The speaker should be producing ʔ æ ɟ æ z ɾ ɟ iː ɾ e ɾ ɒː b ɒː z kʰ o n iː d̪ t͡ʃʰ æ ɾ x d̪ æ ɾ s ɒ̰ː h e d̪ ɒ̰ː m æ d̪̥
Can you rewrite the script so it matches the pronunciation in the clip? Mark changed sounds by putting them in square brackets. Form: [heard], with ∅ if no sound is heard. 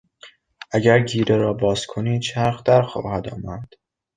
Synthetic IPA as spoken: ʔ æ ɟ æ [∅] ɾ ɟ iː ɾ e ɾ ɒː b ɒː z kʰ o n iː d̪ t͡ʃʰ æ ɾ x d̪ æ ɾ [x] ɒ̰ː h [æ] d̪ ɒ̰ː m æ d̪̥